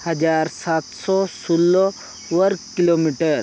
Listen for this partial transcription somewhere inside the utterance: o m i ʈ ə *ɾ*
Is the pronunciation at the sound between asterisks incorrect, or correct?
correct